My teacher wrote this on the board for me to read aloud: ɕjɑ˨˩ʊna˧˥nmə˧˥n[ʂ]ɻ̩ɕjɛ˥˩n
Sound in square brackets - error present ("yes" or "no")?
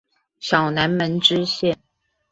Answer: yes